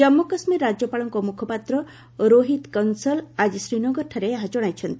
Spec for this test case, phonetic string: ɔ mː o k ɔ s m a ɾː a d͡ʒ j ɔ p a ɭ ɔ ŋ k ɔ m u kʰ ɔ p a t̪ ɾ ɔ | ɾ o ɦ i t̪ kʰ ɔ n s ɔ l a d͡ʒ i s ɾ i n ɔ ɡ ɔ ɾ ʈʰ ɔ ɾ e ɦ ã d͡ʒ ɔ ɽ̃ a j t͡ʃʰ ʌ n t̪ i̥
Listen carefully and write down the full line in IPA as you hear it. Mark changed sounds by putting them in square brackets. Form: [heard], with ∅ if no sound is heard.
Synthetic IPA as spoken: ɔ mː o k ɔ s m [i] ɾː a d͡ʒ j ɔ p a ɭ ɔ ŋ k ɔ m u kʰ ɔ p a t̪ ɾ ɔ | ɾ o ɦ i t̪ [k] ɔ n s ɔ l a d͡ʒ i s ɾ i n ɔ ɡ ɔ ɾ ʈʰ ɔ ɾ e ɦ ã d͡ʒ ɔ ɽ̃ a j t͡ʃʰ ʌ n t̪ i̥